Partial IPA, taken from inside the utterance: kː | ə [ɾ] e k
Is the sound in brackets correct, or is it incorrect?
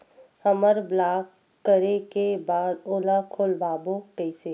correct